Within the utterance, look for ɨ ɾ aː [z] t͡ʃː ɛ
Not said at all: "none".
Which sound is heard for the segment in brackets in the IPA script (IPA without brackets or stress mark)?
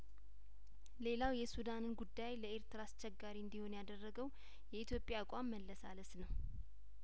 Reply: s